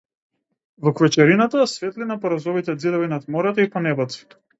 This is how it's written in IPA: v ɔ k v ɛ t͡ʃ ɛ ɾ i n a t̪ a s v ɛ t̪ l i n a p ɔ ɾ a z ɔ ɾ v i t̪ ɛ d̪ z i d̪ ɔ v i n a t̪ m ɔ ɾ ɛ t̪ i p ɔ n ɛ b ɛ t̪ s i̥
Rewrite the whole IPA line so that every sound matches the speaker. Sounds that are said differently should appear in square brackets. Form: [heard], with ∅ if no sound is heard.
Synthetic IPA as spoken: v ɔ k v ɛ t͡ʃ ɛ ɾ i n a t̪ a s v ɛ t̪ l i n a p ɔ ɾ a z ɔ [∅] v i t̪ ɛ d̪ z i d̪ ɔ v i n a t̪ m ɔ ɾ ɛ t̪ i p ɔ n ɛ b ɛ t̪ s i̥